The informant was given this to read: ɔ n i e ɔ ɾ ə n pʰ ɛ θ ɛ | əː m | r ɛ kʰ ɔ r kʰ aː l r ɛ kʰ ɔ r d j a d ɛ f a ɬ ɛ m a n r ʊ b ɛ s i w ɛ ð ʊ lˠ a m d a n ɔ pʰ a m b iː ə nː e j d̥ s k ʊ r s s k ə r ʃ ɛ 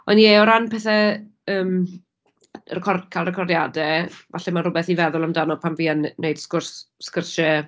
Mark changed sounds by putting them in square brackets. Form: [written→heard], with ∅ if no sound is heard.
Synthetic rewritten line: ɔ n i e ɔ ɾ [ə→a] n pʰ ɛ θ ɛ | əː m | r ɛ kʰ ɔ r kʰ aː l r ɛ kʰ ɔ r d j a d ɛ [f→v] a ɬ ɛ m a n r ʊ b ɛ [s→θ] i [w→v] ɛ ð ʊ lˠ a m d a n ɔ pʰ a m [b→v] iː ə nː e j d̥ s k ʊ r s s k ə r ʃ ɛ